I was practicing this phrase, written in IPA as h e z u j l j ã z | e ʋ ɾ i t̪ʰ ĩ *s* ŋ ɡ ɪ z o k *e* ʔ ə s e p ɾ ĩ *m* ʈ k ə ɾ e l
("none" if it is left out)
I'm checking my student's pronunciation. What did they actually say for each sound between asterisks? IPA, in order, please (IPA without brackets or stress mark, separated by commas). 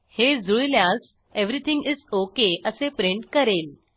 none, e, ɳ